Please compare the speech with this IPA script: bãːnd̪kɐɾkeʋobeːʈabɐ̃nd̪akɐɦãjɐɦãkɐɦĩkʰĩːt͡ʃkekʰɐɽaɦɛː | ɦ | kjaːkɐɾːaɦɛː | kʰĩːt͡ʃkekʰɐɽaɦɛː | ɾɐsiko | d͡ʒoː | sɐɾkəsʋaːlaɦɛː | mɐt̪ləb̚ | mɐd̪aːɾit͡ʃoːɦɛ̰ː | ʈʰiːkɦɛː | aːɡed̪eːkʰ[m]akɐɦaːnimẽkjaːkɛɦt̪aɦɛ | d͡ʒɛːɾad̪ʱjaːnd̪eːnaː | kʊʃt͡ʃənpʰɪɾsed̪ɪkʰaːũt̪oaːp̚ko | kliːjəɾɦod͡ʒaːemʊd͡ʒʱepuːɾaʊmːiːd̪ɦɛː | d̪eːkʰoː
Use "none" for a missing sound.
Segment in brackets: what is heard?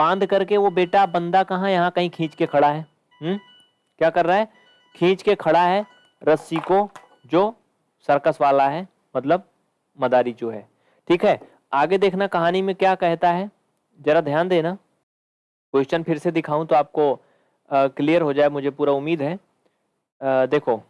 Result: n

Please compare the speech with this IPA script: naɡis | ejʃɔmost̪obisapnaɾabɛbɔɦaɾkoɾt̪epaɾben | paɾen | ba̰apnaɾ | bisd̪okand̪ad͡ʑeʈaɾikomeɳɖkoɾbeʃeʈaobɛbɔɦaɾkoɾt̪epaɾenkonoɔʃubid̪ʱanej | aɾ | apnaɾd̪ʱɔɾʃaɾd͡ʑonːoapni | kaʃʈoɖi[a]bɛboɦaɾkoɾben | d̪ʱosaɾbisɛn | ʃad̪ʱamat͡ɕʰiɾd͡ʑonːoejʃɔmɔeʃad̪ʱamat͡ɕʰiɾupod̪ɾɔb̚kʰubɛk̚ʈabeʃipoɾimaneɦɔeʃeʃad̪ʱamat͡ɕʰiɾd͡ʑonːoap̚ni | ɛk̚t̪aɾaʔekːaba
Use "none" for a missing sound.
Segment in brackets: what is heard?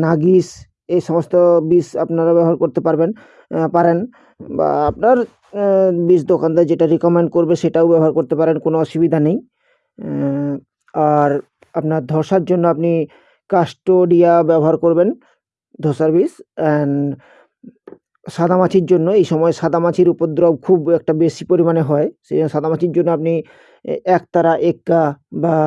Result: a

